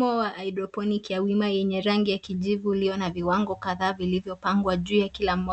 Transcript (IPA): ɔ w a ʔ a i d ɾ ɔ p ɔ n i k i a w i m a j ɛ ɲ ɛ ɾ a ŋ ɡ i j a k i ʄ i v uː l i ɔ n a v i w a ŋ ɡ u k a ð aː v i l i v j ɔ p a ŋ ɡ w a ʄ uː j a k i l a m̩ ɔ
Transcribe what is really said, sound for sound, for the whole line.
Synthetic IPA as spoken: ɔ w a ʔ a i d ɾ ɔ p ɔ n i k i a w i m a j ɛ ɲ ɛ ɾ a ŋ ɡ i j a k i ʄ i v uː l i ɔ n a v i w a ŋ ɡ ɔ k a ð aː v i l i v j ɔ p a ŋ ɡ w a ʄ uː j a k i l a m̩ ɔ